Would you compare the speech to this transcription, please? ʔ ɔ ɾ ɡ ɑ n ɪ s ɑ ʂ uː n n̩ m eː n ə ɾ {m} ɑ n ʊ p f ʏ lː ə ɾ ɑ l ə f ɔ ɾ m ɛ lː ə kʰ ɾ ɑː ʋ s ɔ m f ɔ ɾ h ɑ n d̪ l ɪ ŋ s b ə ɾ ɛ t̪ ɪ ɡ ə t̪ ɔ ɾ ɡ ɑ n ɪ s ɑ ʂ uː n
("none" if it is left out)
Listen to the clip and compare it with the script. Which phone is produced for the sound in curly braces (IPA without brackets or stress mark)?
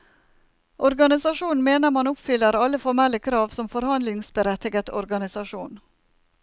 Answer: m